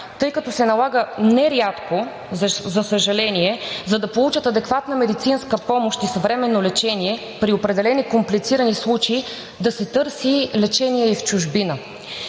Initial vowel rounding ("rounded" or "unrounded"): unrounded